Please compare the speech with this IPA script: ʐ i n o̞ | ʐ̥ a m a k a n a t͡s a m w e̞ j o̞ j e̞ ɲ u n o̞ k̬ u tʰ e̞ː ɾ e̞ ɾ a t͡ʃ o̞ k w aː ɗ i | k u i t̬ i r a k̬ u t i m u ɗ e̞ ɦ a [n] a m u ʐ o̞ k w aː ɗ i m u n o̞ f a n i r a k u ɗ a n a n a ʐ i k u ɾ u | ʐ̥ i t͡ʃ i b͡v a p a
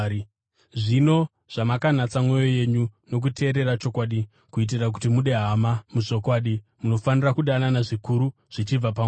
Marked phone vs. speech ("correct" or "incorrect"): incorrect